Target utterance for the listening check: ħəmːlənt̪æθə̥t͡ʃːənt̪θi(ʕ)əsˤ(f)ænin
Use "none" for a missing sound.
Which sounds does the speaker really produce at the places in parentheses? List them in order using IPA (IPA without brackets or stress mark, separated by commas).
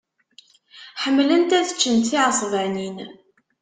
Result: ʕ, v